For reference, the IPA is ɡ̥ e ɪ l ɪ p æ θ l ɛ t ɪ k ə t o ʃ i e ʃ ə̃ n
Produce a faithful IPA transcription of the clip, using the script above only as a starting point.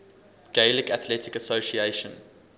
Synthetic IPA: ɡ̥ e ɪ l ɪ k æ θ l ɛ t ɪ k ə s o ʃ i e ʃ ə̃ n